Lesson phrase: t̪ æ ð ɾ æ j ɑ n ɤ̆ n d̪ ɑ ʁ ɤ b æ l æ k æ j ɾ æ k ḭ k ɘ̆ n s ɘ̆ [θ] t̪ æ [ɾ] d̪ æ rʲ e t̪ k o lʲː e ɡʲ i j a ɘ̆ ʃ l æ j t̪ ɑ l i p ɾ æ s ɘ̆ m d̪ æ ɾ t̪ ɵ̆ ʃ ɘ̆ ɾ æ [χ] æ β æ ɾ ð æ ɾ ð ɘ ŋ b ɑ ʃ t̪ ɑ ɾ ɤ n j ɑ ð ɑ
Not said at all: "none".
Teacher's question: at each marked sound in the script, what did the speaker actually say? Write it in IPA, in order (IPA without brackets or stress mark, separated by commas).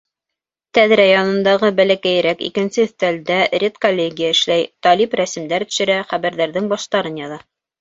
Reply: θ, l, χ